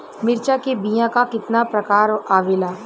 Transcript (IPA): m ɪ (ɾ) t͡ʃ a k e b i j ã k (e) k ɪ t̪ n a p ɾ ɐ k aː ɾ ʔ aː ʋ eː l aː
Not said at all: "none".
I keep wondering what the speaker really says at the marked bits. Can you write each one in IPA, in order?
ɾ, a

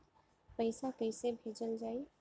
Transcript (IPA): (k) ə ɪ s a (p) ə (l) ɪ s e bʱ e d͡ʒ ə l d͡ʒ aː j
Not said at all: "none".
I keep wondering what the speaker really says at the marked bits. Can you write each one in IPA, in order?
p, k, none

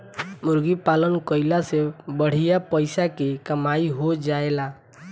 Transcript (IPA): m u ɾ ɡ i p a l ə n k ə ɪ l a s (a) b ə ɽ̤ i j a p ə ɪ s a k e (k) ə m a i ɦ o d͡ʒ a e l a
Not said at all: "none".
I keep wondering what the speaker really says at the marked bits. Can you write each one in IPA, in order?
e, k

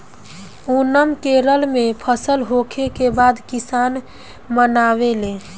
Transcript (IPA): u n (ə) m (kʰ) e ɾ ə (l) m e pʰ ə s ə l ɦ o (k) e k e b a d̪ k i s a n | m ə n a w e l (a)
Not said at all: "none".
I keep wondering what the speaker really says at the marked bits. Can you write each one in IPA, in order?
ə, k, l, kʰ, e

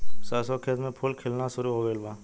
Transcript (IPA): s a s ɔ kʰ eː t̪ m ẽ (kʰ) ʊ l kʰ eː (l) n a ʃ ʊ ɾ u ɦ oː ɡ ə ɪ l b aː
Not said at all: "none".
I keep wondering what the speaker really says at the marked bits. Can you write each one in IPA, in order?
pʰ, l

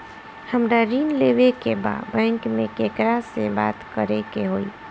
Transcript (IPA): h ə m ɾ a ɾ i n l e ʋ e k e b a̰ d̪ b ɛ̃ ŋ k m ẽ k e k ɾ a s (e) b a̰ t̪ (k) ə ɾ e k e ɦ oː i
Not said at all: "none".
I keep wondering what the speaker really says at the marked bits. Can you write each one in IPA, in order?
e, k

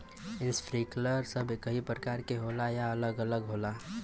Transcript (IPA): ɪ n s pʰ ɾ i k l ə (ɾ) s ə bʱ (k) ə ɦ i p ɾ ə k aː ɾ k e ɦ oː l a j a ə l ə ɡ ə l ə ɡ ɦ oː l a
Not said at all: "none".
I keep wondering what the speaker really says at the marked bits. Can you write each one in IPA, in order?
ɾ, k

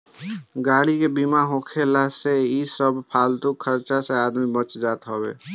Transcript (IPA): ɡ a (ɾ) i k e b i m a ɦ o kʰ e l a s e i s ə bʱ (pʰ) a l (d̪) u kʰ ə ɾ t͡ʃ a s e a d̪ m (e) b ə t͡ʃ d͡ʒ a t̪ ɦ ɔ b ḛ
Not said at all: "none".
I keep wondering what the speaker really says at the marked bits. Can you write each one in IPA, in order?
ɽ, pʰ, t̪, i

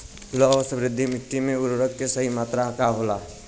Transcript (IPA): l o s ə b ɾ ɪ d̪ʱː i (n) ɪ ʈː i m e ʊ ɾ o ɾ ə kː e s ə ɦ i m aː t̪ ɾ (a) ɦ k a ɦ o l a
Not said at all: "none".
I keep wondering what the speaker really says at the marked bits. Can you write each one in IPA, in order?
m, a

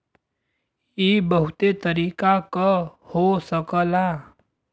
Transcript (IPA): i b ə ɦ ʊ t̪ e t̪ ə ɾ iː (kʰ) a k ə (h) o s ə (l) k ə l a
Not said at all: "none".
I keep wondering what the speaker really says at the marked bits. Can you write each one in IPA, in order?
k, h, none

